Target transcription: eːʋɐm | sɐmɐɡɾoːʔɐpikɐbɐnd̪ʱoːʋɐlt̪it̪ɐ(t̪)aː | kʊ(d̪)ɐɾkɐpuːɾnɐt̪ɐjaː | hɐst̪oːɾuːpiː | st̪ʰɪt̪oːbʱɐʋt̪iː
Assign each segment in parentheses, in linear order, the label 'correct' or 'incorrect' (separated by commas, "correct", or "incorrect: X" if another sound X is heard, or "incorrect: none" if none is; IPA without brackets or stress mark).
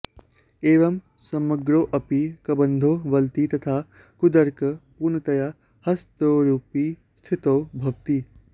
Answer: incorrect: t̪ʰ, correct